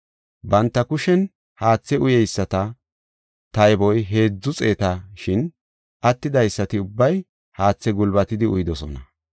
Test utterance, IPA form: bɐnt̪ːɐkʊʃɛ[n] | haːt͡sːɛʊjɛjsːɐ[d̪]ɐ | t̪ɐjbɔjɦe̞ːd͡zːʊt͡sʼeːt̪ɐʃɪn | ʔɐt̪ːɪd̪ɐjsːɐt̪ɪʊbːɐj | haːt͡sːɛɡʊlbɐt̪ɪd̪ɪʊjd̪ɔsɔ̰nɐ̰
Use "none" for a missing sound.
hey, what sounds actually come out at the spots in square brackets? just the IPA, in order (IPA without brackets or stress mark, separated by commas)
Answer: n, t̪